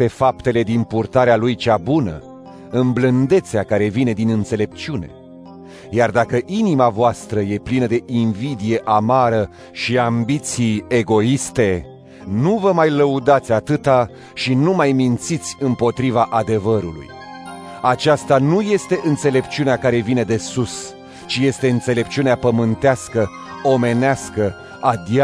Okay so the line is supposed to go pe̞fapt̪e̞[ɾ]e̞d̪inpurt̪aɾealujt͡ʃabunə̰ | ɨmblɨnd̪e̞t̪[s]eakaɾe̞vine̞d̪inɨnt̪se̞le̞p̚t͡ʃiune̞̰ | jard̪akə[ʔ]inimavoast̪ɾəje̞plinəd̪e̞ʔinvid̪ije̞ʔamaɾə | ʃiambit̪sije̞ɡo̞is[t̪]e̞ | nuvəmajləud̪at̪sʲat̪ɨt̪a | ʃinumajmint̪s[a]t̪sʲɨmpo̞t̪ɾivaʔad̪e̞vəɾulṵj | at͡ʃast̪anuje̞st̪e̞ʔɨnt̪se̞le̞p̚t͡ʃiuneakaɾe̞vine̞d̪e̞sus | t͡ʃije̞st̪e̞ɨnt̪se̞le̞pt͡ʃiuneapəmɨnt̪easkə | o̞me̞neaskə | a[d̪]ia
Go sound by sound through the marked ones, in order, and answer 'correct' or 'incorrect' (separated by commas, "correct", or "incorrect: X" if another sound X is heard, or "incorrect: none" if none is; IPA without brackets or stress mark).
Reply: incorrect: l, correct, correct, correct, incorrect: i, correct